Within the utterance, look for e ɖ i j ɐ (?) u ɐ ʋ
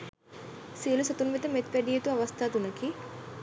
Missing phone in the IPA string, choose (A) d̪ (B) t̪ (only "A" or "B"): B